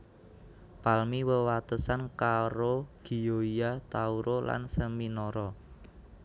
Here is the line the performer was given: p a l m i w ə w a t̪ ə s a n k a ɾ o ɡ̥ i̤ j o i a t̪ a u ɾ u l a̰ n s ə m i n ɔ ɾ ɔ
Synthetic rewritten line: p a l m i w ə w a t̪ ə s a n k a ɾ o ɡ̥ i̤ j o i a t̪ a u ɾ o l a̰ n s ə m i n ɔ ɾ ɔ